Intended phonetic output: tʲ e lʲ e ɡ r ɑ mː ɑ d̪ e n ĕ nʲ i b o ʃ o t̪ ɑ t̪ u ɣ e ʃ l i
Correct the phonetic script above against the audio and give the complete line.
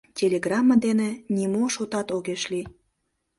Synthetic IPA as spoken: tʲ e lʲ e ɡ r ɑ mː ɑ d̪ e n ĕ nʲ i m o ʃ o t̪ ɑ t̪ o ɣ e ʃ l i